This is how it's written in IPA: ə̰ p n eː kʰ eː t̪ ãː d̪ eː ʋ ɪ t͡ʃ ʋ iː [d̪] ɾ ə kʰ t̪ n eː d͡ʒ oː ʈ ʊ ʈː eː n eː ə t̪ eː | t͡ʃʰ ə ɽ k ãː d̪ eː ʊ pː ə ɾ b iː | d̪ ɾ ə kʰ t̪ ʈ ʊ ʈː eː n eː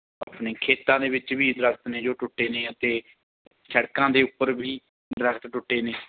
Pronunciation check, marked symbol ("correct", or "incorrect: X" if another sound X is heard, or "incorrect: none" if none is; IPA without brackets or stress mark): correct